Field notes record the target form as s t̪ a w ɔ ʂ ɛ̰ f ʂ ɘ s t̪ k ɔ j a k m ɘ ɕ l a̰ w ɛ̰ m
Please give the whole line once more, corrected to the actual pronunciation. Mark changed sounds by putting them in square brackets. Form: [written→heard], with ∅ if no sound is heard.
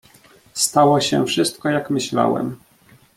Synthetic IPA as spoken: s t̪ a w ɔ [ʂ→ɕ] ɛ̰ f ʂ ɘ s t̪ k ɔ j a k m ɘ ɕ l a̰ w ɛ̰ m